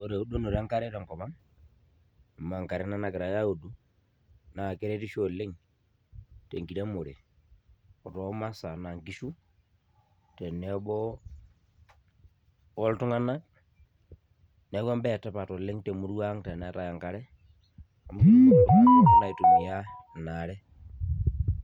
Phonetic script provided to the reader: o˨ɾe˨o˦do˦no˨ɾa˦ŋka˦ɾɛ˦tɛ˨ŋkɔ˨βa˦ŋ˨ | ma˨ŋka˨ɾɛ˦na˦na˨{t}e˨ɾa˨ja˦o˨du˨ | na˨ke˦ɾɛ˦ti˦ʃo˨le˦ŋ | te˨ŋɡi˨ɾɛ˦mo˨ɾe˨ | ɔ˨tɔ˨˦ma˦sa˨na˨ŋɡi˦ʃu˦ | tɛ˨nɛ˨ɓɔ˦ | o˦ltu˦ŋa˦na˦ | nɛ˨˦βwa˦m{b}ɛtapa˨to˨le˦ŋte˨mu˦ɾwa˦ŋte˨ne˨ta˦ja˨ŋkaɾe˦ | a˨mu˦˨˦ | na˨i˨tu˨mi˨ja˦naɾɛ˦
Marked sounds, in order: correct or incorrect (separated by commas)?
incorrect, correct